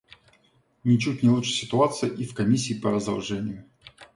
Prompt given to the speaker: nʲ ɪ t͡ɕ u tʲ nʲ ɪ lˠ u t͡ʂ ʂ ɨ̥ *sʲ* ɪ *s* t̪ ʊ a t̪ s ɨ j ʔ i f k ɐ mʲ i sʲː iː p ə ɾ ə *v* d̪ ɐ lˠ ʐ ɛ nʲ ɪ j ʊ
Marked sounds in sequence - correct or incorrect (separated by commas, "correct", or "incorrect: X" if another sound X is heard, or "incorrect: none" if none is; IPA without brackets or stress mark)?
correct, incorrect: none, incorrect: z